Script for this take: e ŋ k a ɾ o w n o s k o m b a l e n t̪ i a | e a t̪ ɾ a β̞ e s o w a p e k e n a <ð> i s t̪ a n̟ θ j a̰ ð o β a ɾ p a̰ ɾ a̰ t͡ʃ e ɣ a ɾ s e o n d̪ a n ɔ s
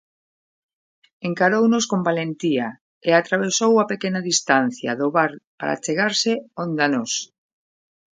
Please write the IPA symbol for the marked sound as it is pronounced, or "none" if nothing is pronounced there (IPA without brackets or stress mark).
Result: ð